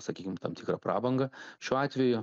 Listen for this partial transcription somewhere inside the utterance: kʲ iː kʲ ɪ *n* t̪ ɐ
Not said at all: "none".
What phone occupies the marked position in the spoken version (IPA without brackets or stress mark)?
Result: m